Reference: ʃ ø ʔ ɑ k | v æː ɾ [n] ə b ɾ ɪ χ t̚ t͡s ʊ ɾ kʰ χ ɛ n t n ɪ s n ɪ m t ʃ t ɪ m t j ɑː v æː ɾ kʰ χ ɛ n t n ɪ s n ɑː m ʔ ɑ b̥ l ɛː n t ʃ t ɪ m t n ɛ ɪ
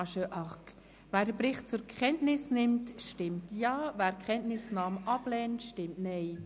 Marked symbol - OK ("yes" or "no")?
no